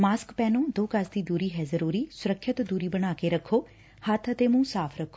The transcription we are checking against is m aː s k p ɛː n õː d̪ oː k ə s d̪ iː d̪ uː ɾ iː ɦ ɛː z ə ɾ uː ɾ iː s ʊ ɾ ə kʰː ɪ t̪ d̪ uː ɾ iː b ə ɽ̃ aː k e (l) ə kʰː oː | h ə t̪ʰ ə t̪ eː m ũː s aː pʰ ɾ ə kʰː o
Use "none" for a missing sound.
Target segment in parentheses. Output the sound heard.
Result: ɾ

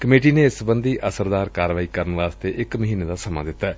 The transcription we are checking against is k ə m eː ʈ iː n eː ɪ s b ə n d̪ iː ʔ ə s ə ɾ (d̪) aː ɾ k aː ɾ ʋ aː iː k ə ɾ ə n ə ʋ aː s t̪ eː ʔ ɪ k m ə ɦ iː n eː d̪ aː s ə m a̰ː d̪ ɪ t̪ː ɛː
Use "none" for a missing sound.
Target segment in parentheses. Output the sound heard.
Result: d̪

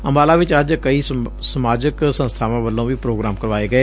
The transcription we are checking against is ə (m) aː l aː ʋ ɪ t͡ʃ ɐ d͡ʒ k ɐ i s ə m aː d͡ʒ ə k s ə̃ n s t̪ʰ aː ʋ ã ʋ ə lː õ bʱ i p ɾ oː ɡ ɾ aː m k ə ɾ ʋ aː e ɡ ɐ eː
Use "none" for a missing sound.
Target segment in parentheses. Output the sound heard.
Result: m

